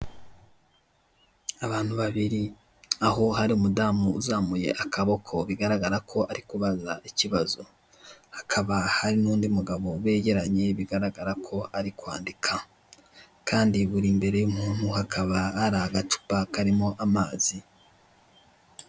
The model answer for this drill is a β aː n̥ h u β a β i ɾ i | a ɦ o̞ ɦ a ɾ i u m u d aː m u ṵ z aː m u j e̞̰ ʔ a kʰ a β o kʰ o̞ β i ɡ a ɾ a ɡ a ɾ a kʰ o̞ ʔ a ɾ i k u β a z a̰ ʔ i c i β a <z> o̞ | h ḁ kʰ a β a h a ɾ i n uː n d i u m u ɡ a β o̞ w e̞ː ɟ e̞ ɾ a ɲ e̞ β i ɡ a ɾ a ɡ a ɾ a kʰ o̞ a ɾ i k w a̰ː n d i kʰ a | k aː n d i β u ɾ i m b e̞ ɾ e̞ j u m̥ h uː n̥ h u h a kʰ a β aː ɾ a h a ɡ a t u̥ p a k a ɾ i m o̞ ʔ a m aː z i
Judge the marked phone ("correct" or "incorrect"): correct